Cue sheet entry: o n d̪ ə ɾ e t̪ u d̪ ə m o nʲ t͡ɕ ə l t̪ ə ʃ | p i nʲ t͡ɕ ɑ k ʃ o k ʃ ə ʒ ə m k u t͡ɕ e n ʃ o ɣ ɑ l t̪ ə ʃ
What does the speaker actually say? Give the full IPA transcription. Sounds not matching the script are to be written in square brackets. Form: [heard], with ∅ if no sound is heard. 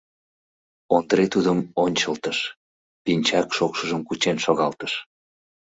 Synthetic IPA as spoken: o n d̪ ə ɾ e t̪ u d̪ ə m o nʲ t͡ɕ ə l t̪ ə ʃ | p i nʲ t͡ɕ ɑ k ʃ o k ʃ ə ʒ ə m k u t͡ɕ e n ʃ o ɣ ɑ l t̪ ə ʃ